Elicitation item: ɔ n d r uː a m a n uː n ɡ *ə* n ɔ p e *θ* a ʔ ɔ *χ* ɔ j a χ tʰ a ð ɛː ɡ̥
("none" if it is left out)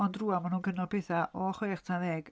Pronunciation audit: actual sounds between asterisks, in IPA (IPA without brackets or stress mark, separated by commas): ə, θ, χ